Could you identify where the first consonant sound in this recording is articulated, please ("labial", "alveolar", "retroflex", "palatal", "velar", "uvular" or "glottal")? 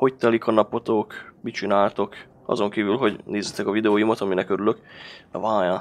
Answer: glottal